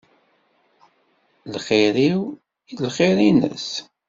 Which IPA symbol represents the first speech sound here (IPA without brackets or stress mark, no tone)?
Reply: l